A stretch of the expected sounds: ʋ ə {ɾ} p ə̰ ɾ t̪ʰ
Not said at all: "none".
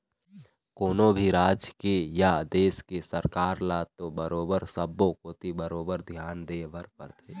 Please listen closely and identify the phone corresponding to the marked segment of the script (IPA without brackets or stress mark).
ɾ